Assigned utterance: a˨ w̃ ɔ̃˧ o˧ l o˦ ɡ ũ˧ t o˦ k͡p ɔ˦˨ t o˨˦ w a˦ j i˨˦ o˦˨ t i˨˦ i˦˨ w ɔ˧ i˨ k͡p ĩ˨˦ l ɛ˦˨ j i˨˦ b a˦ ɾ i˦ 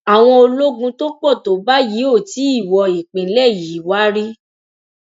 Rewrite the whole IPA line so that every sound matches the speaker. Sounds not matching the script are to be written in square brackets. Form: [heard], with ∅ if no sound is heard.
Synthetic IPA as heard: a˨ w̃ ɔ̃˧ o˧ l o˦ ɡ ũ˧ t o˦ k͡p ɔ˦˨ t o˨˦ [b] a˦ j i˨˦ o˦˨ t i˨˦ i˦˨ w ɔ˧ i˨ k͡p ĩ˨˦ l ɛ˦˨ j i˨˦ [w] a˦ ɾ i˦